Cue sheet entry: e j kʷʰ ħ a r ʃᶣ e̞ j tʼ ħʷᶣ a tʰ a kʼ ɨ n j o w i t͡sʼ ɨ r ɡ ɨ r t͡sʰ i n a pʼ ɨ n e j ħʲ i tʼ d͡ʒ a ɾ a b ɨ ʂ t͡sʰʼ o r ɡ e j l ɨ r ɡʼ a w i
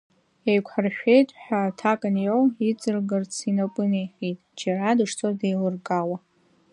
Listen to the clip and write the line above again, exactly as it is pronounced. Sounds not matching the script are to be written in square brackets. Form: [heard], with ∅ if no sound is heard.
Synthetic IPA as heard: e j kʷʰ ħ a r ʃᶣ e̞ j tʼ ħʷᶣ a tʰ a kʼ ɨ n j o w i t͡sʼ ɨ r ɡ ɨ r t͡sʰ i n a pʼ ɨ n e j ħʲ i tʼ d͡ʒ a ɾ a [d] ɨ ʂ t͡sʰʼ o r [d] e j l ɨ r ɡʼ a w [a]